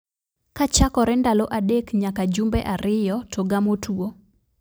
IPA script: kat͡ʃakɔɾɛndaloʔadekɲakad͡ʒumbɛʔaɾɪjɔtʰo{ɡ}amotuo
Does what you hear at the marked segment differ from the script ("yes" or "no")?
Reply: no